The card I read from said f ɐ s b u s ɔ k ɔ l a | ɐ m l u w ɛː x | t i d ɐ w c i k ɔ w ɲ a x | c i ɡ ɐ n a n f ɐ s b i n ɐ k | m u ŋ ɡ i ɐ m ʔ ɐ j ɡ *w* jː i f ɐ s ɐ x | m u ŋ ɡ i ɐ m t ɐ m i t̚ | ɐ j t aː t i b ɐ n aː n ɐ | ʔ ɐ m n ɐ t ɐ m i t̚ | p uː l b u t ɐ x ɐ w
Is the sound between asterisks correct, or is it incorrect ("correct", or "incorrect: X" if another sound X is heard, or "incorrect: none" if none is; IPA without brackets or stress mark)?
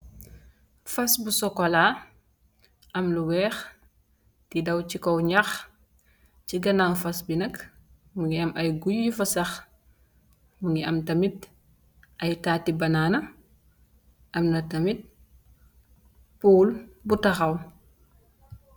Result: incorrect: u